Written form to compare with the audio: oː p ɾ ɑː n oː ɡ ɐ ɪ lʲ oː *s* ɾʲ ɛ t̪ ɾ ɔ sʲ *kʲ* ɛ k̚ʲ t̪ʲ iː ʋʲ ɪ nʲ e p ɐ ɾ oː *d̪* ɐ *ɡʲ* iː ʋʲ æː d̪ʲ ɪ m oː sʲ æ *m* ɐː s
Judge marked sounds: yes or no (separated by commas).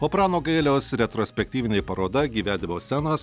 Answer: yes, no, yes, yes, no